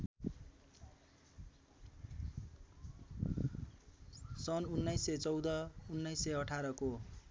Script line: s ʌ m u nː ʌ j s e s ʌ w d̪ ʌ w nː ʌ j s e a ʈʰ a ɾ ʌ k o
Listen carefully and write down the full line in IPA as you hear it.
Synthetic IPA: s ʌ n u nː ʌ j s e t͡s ʌ w d̪ ʌ u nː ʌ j s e ʌ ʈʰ a ɾ ʌ k o